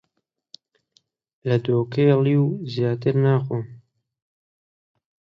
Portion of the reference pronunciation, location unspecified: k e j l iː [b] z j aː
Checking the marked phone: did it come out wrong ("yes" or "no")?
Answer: yes